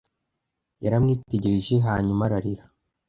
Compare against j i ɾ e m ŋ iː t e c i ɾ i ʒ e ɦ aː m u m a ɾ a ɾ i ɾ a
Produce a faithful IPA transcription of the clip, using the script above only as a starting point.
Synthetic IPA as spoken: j a ɾ a m ŋ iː t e ɟ i ɾ i ʒ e ɦ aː ɲ u m a ɾ a ɾ i ɾ a